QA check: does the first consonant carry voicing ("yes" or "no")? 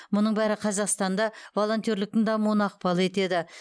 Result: yes